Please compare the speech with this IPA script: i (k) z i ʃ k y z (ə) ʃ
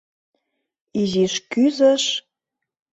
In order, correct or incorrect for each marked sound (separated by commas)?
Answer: incorrect, correct